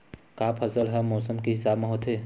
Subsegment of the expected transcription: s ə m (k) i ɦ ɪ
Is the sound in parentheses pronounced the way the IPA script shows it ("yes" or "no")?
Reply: yes